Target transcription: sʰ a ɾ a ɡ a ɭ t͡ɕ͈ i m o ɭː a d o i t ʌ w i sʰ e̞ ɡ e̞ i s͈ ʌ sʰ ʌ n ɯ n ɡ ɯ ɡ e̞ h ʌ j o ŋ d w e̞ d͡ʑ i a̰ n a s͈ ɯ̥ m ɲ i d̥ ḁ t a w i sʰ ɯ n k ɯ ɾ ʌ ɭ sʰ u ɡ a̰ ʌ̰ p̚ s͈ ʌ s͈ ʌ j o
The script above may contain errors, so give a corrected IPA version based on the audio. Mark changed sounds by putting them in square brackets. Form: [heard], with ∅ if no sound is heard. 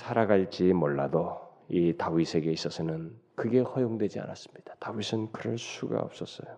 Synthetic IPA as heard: sʰ a ɾ a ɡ a ɭ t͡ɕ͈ i m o ɭː a d o i t [a] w i sʰ e̞ ɡ e̞ i s͈ ʌ sʰ ʌ n ɯ n [k] ɯ ɡ e̞ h ʌ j o ŋ d w e̞ d͡ʑ i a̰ n a s͈ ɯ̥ m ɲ i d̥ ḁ t a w i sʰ ɯ n k ɯ ɾ ʌ ɭ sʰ u ɡ a̰ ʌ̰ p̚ s͈ ʌ s͈ ʌ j o